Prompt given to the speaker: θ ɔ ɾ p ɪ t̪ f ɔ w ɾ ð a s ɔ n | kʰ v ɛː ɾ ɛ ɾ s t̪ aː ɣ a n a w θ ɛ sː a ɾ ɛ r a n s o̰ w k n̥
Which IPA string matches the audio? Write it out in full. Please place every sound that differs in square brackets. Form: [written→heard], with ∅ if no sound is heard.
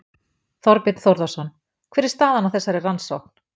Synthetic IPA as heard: θ ɔ ɾ p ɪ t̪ [f→θ] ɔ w ɾ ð a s ɔ n | kʰ v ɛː ɾ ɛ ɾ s t̪ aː [ɣ→ð] a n a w θ ɛ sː a ɾ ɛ r a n s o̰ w k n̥